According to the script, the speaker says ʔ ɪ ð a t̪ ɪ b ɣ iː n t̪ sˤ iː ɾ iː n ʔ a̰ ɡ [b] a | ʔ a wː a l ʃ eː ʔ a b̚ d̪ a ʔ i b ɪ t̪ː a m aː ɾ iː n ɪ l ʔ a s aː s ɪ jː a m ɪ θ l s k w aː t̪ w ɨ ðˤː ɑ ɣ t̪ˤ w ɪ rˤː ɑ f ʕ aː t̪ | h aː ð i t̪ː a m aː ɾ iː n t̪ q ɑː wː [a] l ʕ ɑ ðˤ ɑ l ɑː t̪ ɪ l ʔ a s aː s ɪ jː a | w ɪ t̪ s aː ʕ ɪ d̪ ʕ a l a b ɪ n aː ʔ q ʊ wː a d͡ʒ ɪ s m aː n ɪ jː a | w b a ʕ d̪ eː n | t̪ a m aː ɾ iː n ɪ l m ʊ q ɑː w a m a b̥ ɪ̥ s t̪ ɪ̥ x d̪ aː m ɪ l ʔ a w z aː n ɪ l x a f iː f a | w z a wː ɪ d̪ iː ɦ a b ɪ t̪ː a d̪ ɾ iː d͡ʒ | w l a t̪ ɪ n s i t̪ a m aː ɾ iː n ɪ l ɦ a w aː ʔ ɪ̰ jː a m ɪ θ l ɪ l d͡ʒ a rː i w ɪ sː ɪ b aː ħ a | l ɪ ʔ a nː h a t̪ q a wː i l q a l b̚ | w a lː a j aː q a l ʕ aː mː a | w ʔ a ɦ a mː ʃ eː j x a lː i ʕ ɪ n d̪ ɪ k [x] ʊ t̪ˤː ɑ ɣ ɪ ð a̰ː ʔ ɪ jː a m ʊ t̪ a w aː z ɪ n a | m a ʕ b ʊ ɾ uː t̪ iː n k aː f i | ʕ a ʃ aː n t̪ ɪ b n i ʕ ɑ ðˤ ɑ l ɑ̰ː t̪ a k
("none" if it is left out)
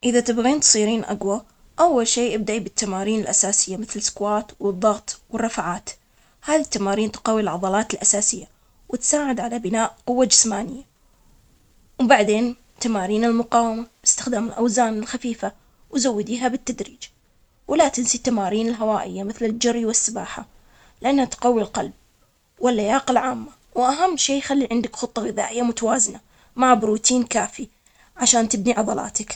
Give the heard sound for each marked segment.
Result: w, i, x

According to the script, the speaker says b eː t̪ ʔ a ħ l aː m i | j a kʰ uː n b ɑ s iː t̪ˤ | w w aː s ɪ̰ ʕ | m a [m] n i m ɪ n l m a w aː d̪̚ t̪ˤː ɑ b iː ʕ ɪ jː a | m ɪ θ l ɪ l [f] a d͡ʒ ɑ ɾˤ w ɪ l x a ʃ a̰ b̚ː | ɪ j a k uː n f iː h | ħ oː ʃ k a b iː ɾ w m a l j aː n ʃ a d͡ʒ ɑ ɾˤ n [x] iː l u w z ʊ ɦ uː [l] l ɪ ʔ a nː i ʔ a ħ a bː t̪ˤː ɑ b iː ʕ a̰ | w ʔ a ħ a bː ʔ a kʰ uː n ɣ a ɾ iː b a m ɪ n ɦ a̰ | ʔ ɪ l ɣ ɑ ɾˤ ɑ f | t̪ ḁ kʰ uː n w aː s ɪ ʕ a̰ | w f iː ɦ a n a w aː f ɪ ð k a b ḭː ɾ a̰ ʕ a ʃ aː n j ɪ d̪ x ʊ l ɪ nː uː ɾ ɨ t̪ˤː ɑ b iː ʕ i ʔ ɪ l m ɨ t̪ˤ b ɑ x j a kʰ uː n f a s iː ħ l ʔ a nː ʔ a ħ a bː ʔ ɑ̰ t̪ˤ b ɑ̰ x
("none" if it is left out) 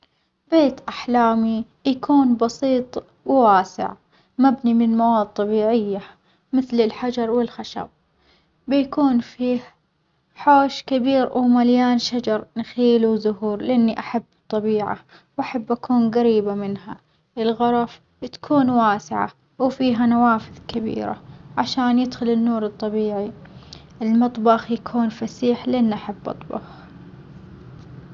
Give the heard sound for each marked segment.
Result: b, ħ, x, ɾ

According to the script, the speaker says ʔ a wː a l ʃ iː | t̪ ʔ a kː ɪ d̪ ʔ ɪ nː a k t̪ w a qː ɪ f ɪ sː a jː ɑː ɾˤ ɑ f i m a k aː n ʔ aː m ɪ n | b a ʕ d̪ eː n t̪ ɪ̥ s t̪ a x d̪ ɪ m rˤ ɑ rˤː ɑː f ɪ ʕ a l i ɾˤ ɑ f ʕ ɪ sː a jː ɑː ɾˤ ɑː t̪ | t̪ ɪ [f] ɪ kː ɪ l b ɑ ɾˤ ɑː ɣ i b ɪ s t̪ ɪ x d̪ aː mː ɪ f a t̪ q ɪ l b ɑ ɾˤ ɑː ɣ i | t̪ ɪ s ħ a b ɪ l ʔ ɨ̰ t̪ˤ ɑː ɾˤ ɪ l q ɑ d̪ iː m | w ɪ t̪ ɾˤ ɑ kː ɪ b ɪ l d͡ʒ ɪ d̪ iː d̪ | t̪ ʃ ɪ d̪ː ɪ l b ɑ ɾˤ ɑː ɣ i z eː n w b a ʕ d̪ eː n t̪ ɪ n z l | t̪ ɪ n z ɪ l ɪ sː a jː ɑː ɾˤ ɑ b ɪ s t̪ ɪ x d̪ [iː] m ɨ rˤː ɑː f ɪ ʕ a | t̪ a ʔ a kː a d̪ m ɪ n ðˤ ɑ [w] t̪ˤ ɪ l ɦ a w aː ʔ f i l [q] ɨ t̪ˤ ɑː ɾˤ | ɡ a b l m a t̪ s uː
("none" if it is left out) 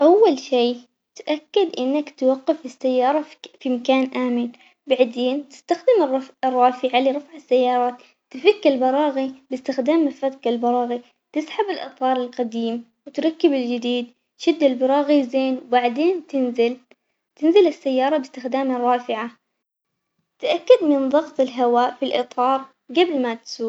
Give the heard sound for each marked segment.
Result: f, aː, ɣ, ʔ

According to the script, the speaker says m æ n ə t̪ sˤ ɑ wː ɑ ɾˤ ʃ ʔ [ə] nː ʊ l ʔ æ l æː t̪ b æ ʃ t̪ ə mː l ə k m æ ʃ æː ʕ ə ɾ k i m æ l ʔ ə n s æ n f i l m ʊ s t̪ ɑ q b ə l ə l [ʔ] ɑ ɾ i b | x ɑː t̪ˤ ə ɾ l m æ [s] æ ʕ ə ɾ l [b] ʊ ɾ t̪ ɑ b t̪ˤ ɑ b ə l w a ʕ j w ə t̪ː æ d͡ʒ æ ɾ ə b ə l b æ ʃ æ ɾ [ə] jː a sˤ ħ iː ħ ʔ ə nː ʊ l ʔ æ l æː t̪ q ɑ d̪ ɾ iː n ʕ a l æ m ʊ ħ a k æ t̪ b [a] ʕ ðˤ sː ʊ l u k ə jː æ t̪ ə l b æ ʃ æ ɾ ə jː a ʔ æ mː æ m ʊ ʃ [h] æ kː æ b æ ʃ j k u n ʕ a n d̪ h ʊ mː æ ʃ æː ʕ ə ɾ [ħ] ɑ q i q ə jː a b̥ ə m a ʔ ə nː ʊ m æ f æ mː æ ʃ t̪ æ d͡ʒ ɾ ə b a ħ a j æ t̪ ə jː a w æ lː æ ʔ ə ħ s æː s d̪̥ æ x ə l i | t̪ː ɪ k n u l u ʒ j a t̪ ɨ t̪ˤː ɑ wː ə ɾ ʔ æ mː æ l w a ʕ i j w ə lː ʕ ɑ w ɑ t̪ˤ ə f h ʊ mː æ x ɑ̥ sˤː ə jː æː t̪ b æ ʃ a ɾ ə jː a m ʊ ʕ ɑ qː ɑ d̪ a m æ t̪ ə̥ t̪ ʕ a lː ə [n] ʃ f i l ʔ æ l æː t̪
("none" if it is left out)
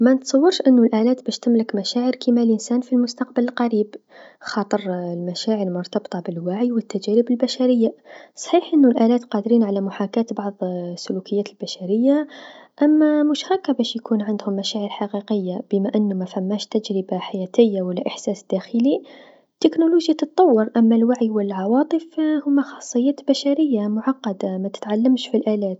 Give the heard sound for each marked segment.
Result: ə, q, ʃ, m, ə, ɑ, h, ħ, m

